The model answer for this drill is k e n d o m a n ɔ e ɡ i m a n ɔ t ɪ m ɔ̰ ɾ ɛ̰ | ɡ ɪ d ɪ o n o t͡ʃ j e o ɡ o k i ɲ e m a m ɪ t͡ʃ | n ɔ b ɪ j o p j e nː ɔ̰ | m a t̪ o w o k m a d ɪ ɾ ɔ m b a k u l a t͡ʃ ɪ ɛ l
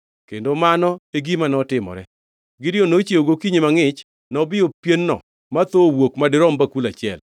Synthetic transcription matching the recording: k e n d o m a n ɔ e ɡ i m a n ɔ t ɪ m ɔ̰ ɾ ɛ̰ | ɡ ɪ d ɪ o n o t͡ʃ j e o ɡ o k i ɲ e m a ŋ ɪ t͡ʃ | n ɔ b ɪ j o p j e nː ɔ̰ | m a t̪ o w o k m a d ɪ ɾ ɔ m b a k u l a t͡ʃ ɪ ɛ l